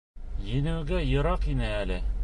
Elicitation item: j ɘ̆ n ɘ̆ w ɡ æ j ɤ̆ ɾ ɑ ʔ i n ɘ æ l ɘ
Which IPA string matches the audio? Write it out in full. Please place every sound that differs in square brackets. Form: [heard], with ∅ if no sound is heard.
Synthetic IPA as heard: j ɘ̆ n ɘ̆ w ɡ æ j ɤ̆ ɾ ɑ [q] i n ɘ æ l ɘ